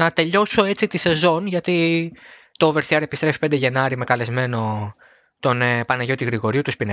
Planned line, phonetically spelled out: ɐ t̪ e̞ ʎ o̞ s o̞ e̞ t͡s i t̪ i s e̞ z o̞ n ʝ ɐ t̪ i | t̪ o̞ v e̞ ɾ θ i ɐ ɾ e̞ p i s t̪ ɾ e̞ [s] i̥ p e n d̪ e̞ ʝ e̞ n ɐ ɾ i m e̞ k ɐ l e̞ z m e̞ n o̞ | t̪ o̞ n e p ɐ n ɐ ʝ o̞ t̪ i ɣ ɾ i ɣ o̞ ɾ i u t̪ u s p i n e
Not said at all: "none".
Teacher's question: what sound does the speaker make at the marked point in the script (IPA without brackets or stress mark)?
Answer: f